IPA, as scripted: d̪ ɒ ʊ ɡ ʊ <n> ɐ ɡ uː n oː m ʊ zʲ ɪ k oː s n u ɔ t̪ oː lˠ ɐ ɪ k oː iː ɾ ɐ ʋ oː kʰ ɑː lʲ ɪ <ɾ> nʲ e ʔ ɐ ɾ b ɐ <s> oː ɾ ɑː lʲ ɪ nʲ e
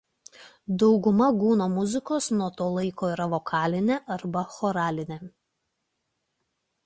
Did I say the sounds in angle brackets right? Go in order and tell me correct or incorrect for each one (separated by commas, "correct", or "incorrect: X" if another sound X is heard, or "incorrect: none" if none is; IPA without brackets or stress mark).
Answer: incorrect: m, incorrect: none, incorrect: x